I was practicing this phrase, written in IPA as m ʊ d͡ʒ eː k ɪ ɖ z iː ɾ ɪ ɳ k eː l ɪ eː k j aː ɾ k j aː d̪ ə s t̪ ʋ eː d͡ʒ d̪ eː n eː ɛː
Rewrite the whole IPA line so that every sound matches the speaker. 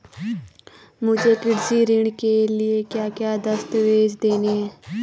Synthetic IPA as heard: m ʊ d͡ʒ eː k ɪ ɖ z iː ɾ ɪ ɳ k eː l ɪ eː k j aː k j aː d̪ ə s t̪ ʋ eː d͡ʒ d̪ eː n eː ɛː